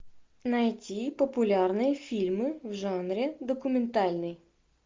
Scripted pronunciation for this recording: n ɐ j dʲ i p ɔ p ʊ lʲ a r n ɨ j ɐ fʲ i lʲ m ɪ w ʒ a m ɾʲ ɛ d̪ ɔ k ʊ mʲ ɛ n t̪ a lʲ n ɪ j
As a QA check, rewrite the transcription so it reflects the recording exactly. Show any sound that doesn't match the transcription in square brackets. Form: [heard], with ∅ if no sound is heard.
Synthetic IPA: n ɐ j [tʲ] i p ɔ p ʊ lʲ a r n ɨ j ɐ fʲ i lʲ m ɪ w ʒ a [n] ɾʲ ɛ d̪ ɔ k ʊ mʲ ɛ n t̪ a lʲ n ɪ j